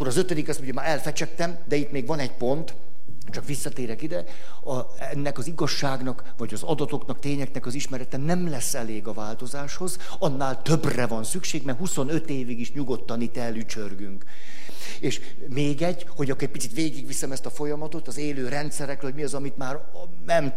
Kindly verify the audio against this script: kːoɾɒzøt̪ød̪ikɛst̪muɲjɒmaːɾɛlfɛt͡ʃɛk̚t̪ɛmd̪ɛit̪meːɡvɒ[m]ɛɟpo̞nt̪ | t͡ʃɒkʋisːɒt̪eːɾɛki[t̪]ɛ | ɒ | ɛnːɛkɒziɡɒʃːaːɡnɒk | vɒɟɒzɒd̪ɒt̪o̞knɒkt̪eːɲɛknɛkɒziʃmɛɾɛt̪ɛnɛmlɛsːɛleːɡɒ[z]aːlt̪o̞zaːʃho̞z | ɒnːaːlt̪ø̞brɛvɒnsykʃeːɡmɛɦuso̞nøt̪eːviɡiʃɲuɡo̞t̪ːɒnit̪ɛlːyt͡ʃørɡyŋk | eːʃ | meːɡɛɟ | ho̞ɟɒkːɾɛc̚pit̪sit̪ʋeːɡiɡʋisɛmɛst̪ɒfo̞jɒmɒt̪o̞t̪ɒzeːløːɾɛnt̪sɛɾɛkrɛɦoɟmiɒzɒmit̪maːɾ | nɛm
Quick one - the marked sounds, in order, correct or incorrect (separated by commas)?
incorrect, incorrect, incorrect